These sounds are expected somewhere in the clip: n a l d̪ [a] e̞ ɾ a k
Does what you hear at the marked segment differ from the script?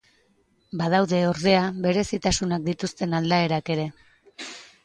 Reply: no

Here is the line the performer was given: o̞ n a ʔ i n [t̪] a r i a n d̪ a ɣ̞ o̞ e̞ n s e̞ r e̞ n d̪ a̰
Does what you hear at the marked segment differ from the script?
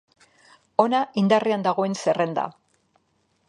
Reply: yes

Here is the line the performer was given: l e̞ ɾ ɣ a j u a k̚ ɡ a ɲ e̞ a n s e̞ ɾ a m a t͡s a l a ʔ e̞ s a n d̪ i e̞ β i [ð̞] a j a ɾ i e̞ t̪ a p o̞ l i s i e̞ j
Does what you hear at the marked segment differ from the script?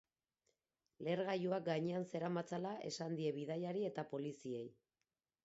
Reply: no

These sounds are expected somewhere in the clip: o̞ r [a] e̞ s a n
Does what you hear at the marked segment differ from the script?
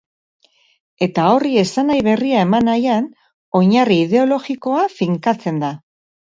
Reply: yes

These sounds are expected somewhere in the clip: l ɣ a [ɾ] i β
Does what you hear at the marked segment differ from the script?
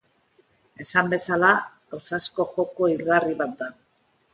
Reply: yes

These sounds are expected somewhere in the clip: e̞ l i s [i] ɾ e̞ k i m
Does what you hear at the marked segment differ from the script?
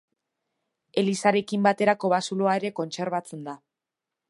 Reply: yes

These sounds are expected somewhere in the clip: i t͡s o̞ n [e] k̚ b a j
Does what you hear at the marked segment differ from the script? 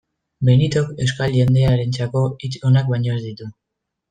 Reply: yes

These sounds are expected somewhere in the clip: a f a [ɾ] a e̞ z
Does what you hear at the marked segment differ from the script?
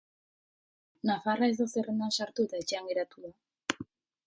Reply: yes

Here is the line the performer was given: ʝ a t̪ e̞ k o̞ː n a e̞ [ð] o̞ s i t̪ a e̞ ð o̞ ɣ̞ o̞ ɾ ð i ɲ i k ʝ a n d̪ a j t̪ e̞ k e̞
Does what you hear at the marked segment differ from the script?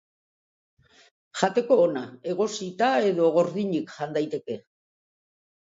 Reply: yes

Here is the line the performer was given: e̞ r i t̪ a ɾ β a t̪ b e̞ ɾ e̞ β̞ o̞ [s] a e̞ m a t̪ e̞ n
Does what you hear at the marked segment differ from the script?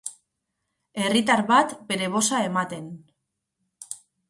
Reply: no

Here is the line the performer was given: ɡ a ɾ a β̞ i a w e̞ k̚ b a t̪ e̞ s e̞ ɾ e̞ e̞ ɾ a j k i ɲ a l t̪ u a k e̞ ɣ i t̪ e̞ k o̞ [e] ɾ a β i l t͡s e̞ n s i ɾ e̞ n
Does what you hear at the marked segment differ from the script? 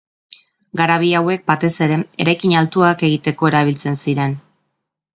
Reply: no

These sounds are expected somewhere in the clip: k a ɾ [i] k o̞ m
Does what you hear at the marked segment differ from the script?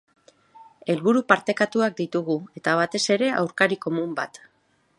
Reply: no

